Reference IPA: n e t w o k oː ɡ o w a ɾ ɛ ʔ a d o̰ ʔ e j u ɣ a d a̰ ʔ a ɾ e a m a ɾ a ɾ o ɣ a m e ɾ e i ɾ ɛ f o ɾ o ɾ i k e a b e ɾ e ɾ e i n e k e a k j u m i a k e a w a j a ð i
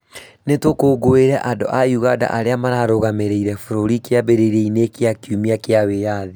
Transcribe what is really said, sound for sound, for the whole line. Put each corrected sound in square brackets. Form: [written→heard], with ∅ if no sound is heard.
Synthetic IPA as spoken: n e t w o k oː ɡ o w [a→e] ɾ ɛ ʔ a d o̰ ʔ [e→a] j u ɣ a d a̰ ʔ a ɾ e a m a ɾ a ɾ o ɣ a m e ɾ e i ɾ ɛ f o ɾ o ɾ i k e a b e ɾ e ɾ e i n e k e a k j u m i a k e a w [a→e] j a ð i